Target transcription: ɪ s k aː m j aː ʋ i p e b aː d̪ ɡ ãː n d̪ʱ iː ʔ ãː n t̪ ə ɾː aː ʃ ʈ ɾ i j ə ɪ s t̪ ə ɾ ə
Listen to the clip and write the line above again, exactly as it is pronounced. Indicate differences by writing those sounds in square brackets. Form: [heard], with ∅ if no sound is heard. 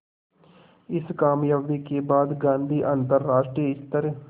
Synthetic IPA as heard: ɪ s k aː m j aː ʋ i [k] e b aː d̪ ɡ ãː n d̪ʱ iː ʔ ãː n t̪ ə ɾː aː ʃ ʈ ɾ i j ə ɪ s t̪ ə ɾ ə